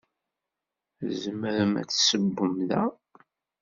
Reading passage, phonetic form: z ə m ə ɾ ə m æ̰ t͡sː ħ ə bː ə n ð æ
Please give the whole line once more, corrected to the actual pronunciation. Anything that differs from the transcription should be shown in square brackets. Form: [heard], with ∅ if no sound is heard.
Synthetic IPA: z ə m ə ɾ ə m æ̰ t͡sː [s] ə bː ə [m] ð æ